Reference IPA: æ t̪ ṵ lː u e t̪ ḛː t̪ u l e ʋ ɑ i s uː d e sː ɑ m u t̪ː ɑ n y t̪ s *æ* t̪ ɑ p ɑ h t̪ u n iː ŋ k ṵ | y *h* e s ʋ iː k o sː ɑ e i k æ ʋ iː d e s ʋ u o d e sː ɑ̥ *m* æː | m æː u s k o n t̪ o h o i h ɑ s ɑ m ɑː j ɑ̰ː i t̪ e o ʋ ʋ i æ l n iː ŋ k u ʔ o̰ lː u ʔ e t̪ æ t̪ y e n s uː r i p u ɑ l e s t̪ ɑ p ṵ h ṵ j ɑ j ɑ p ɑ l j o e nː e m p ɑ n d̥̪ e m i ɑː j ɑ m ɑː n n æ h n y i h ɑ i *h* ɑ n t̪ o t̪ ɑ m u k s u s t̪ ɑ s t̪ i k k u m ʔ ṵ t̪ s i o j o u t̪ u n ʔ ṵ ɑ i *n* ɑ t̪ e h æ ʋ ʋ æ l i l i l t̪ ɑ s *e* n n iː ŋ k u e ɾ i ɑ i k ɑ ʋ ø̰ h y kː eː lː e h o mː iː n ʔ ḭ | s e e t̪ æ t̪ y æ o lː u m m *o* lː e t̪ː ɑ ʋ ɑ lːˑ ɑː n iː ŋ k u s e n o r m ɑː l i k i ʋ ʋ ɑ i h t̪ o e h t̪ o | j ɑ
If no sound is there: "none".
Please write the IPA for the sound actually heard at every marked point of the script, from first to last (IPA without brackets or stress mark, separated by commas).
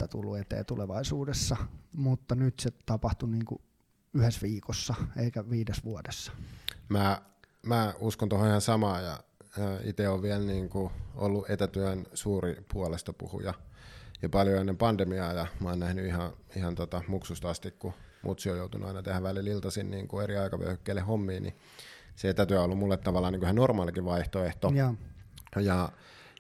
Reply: e, h, m, h, n, i, u